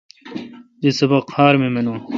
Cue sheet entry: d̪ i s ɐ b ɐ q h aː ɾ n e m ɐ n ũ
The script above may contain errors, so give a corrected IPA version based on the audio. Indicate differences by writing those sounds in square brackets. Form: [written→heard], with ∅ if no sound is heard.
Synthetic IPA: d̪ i s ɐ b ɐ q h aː ɾ [n→m] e m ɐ n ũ